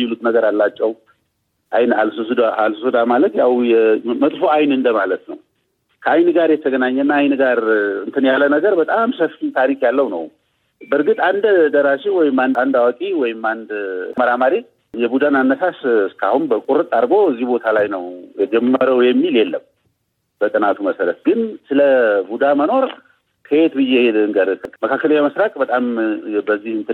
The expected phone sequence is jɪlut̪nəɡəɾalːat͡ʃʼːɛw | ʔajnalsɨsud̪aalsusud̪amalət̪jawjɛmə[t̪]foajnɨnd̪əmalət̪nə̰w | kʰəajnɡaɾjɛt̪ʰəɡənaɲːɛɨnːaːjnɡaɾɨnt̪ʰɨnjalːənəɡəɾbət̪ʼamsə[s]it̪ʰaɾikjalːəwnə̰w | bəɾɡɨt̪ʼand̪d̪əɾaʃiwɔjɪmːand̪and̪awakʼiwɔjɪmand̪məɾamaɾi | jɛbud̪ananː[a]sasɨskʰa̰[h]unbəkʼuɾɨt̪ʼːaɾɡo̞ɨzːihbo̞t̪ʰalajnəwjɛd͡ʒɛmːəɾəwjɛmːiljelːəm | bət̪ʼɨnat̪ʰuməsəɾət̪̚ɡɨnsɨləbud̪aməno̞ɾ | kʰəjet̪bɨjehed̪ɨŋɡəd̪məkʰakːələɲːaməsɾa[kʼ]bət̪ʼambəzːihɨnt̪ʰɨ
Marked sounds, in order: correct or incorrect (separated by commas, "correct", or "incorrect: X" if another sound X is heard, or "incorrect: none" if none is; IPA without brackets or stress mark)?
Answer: incorrect: t̪ʼ, incorrect: f, incorrect: ə, correct, correct